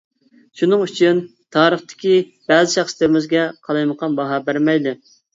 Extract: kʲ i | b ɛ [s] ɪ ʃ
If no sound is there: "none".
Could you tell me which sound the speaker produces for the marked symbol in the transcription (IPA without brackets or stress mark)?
z